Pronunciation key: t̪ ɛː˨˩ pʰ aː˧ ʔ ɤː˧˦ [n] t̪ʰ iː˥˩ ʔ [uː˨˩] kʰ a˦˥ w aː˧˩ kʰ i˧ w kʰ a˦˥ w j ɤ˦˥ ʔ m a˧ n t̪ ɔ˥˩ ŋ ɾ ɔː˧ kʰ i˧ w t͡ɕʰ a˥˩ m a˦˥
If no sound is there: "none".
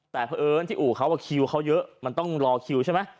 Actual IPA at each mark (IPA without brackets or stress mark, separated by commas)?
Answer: n, uː˨˩